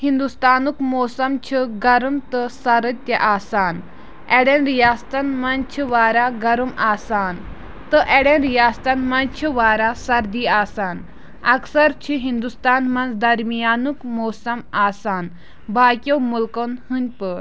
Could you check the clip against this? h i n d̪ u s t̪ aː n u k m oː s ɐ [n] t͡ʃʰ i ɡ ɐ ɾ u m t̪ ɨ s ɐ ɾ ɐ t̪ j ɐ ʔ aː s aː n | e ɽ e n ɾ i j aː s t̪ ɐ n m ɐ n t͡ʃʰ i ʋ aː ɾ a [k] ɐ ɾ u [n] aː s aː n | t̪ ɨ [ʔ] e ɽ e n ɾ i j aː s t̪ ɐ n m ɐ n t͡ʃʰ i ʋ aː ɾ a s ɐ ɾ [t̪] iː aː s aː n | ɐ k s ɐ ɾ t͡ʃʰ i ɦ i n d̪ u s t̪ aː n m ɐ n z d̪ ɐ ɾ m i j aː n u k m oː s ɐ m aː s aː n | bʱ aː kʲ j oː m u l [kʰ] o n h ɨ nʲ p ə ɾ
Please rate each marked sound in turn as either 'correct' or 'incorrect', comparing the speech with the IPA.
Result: incorrect, incorrect, incorrect, correct, incorrect, incorrect

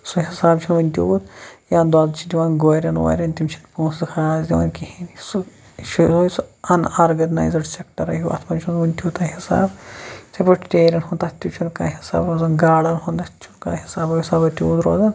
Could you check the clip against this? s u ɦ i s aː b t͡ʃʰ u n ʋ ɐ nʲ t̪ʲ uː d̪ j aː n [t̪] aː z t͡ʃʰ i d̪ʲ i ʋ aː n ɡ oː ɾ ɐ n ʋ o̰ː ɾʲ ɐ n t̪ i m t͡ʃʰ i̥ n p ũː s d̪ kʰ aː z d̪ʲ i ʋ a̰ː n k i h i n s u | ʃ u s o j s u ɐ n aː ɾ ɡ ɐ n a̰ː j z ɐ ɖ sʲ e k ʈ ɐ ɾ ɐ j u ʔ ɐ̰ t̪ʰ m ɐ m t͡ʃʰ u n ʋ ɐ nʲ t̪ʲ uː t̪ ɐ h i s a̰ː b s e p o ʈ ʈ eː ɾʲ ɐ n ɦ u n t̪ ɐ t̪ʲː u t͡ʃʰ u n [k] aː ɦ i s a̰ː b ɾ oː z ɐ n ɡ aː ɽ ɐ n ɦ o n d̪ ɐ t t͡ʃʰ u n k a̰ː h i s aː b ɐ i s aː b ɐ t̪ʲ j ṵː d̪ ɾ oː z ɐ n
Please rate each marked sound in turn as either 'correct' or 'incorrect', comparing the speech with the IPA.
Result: incorrect, correct

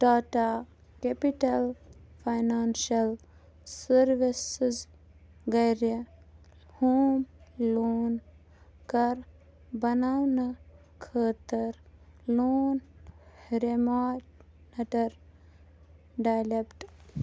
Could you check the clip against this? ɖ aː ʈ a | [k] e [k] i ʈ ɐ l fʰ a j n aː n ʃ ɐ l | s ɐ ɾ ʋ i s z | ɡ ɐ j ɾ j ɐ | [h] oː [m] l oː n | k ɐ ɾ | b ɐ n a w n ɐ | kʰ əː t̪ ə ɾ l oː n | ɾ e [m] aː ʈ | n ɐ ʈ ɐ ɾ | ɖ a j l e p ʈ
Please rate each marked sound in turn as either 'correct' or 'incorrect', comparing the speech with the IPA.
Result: correct, incorrect, correct, correct, correct

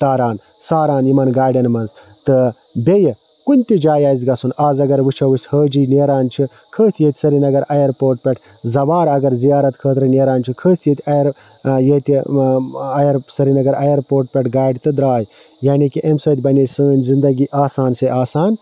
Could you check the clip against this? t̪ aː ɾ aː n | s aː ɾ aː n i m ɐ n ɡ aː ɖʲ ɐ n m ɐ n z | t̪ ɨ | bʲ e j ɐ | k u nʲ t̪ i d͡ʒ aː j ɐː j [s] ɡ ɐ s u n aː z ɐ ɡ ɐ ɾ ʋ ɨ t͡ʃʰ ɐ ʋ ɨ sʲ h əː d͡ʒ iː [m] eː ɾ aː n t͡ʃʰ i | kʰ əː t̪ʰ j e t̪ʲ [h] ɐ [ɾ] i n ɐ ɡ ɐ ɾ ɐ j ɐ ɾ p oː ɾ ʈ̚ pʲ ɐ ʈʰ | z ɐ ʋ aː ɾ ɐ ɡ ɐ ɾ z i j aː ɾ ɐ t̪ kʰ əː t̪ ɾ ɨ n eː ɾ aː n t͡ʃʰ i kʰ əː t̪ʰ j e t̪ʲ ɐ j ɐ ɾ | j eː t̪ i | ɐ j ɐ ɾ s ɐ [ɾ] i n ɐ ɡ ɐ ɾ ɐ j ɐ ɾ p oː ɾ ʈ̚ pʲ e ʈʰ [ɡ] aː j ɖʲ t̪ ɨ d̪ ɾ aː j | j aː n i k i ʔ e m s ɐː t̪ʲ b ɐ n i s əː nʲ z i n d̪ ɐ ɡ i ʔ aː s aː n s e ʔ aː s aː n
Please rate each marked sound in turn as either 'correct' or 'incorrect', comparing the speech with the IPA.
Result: incorrect, incorrect, incorrect, correct, correct, correct

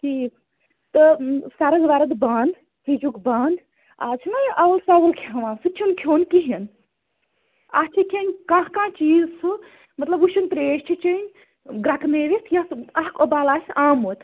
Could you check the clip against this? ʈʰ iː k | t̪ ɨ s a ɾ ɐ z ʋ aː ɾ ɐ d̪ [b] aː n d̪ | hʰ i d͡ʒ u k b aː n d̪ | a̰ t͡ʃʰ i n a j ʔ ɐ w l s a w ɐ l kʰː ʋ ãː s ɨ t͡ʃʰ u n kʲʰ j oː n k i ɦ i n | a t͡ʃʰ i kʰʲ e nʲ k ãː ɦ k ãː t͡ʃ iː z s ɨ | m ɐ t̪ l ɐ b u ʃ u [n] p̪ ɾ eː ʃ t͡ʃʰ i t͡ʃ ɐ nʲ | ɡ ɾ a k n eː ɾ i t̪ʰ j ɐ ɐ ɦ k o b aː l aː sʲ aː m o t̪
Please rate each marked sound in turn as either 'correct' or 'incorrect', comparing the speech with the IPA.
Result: correct, correct

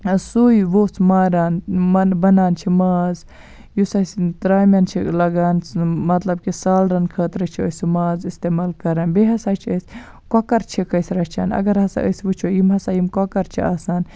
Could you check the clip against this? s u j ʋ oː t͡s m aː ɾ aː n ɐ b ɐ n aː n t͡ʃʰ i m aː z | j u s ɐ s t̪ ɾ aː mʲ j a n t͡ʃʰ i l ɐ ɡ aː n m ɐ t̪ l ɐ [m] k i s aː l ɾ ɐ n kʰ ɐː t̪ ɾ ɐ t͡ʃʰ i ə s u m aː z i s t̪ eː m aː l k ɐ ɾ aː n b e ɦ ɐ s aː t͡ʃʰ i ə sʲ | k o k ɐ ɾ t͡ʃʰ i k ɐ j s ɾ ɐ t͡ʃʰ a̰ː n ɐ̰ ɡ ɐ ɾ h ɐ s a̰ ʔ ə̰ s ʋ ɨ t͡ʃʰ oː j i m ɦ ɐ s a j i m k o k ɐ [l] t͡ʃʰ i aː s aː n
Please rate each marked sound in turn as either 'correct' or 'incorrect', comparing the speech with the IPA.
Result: incorrect, incorrect

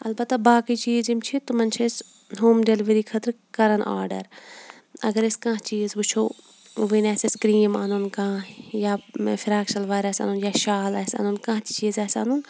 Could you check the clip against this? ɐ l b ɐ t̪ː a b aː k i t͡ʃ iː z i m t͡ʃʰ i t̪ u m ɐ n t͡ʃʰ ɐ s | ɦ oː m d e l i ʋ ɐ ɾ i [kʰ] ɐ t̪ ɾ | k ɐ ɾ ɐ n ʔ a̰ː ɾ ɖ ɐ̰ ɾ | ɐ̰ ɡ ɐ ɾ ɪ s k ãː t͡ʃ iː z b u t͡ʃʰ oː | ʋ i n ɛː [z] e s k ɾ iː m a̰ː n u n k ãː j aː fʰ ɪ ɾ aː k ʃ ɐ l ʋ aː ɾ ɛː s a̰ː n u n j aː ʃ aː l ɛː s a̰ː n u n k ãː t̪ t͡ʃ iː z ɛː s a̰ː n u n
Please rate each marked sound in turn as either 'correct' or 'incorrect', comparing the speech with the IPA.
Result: correct, incorrect

